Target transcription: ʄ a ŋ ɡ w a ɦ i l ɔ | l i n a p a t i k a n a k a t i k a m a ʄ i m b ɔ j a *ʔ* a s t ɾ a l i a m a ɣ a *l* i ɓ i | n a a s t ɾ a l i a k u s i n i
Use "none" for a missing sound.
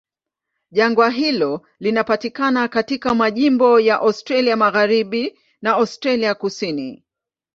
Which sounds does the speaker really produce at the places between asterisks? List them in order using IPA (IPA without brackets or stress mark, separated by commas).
ʔ, ɾ